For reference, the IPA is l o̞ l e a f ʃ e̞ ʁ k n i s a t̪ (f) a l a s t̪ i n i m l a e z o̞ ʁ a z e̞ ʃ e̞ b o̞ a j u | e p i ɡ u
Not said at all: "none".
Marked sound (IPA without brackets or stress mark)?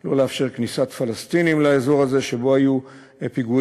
f